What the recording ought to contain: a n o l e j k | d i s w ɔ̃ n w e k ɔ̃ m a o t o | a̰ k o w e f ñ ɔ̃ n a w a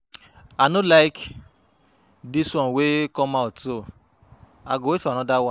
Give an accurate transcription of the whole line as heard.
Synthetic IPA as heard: a n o l a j k | d i s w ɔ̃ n w e k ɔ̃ m a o t o | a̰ ɡ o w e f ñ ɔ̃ d a w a